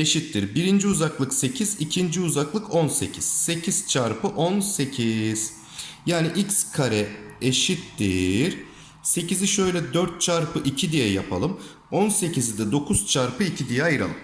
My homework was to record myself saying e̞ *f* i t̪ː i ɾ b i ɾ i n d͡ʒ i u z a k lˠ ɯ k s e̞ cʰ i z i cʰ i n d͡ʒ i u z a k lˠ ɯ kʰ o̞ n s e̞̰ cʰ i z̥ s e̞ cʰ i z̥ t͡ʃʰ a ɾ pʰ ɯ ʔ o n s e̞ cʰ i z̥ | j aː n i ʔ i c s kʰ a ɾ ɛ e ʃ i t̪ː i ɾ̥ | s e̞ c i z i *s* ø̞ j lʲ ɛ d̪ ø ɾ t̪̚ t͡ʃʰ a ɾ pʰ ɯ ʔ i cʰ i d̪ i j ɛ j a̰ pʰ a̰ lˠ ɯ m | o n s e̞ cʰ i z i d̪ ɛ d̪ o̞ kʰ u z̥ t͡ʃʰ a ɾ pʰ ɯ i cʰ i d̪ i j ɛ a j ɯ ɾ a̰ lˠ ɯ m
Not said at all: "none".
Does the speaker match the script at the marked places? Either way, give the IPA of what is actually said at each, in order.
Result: ʃ, ʃ

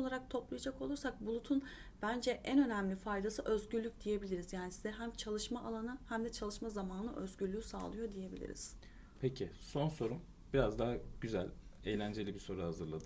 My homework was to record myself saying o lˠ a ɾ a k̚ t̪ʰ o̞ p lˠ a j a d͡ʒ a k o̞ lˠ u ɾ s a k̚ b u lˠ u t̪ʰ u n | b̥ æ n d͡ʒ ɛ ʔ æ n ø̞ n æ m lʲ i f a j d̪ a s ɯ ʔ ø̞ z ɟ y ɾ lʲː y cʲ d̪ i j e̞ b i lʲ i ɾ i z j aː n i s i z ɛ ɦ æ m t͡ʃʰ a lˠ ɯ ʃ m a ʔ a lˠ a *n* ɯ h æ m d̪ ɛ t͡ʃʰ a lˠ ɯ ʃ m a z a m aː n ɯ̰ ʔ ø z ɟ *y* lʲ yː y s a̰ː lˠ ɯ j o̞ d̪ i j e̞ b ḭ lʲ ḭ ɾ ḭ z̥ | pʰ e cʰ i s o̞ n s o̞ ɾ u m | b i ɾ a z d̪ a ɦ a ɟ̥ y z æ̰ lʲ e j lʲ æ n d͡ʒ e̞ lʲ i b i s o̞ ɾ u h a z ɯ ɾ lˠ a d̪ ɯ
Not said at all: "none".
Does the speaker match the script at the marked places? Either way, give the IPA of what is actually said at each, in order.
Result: n, y

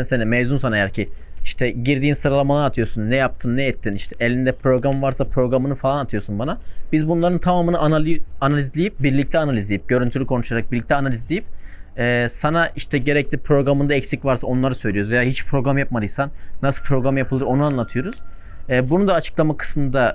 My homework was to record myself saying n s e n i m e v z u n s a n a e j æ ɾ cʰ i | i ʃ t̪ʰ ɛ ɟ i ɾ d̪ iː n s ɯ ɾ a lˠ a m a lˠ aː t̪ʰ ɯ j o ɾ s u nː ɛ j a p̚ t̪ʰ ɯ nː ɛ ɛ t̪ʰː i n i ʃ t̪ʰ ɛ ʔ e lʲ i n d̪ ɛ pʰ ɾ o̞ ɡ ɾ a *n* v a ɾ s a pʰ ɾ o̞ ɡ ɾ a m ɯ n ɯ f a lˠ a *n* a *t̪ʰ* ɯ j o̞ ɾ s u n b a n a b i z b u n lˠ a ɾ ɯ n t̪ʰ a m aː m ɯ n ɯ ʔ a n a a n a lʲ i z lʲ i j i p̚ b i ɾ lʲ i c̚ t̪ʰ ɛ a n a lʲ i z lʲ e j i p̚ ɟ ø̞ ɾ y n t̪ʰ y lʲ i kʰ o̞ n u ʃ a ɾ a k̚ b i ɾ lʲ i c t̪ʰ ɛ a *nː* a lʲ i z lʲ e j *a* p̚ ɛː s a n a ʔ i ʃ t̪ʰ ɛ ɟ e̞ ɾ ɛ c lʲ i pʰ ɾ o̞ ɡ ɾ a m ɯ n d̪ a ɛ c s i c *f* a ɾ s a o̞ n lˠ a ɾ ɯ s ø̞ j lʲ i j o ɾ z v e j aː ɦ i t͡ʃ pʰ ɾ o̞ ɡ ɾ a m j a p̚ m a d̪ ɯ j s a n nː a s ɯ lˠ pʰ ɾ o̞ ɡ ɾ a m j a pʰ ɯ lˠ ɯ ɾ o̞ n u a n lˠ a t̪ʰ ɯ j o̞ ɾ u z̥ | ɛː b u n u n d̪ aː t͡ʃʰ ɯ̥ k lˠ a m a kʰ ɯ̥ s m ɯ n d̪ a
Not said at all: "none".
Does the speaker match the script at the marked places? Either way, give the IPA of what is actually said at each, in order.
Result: m, n, t̪ʰ, n, i, v

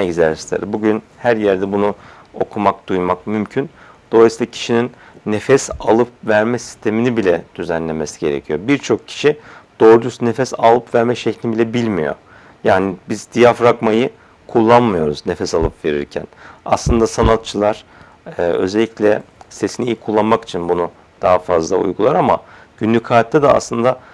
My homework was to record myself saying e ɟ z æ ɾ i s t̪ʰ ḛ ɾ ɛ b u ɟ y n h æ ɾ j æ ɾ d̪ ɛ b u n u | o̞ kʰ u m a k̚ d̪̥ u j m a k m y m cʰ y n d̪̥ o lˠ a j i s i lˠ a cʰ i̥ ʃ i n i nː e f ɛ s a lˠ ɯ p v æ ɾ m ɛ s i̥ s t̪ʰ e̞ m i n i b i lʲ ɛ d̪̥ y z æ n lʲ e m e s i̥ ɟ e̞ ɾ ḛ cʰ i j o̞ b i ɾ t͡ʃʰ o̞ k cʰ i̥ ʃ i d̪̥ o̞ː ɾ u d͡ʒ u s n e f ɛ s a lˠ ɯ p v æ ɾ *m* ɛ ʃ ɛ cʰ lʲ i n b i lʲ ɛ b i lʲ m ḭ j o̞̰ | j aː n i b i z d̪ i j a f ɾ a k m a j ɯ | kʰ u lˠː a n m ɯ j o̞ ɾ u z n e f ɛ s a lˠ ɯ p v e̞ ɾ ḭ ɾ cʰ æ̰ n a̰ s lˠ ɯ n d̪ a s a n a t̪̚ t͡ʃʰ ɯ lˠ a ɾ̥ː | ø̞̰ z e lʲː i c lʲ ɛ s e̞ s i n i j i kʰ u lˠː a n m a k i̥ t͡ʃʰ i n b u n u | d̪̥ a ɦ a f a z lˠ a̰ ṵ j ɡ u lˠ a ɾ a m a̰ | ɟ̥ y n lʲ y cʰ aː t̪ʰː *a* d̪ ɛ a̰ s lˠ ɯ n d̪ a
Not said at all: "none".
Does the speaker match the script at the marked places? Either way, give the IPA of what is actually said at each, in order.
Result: m, ɛ

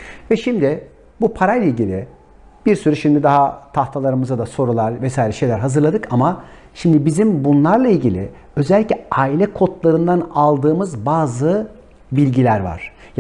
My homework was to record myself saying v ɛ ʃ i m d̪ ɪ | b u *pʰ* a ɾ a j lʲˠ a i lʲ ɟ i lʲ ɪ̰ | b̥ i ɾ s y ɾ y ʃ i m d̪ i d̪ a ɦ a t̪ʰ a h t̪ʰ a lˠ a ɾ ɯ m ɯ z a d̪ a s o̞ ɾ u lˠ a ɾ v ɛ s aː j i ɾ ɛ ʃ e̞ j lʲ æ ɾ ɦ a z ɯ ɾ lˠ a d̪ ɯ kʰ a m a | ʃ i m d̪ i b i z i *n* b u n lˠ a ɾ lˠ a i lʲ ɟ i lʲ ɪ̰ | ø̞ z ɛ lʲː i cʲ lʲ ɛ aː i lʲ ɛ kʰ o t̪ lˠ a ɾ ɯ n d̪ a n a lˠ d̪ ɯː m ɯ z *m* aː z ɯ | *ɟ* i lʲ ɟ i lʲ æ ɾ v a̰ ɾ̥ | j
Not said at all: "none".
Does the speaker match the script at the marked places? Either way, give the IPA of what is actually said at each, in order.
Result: pʰ, m, b, b

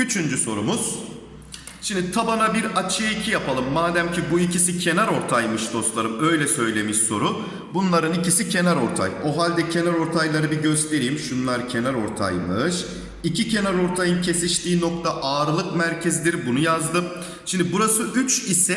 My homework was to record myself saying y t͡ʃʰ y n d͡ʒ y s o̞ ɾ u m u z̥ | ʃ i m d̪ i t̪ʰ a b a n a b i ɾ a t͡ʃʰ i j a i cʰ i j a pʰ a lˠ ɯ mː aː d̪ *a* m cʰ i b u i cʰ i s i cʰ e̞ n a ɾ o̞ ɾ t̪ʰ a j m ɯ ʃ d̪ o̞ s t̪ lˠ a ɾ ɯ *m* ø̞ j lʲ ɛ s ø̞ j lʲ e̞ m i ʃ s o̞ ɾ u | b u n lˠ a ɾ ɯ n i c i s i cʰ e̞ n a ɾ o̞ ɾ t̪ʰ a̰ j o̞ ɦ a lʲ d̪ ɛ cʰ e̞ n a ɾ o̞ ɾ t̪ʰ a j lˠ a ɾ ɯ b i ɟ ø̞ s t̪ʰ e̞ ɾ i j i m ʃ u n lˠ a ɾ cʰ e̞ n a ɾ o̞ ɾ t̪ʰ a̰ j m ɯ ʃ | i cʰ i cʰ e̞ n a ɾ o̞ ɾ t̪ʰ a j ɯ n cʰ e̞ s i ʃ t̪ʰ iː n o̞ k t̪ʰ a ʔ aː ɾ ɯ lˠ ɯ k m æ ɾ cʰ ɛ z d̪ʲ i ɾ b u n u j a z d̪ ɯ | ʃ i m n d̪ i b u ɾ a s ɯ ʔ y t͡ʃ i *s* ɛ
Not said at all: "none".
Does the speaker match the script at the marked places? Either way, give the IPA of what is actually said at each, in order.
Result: æ, m, s

